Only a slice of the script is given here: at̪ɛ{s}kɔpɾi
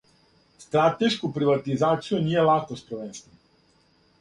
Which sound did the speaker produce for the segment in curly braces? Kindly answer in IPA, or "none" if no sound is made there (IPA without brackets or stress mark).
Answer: ʃ